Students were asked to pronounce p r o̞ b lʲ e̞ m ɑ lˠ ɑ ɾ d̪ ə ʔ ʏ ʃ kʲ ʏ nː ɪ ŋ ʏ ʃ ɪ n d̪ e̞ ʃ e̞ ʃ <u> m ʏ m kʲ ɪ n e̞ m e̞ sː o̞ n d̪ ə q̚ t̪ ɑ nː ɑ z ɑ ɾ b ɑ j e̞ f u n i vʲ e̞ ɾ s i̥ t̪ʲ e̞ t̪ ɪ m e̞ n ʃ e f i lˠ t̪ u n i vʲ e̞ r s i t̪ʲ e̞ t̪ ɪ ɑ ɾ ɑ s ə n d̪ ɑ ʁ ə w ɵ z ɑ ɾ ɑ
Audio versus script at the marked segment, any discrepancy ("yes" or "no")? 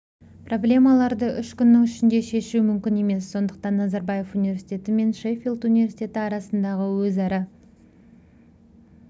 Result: no